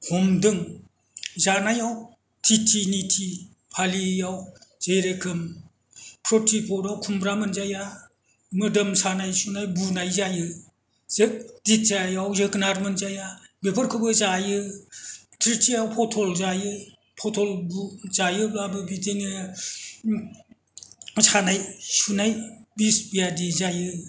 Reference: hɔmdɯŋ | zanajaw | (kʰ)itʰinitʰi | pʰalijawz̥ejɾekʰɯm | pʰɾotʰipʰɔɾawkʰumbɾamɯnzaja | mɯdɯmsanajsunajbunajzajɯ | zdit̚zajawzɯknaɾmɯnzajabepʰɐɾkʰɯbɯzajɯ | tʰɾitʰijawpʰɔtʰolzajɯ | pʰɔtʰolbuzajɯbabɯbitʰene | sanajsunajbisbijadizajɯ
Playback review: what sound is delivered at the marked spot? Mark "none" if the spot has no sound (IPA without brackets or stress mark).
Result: tʰ